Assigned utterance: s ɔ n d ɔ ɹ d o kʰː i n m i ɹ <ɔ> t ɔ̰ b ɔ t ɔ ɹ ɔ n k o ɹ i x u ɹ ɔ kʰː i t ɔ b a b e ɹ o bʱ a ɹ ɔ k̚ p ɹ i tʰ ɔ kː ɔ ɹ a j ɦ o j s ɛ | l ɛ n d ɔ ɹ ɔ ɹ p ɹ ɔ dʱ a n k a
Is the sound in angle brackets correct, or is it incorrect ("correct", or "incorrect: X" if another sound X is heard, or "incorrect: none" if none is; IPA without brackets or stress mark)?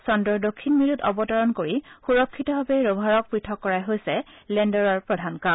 incorrect: u